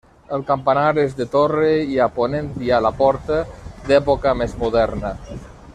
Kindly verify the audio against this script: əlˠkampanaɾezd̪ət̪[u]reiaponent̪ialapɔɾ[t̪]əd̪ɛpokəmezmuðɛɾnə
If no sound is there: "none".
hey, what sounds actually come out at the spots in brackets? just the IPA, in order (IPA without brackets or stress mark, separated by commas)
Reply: o, t̪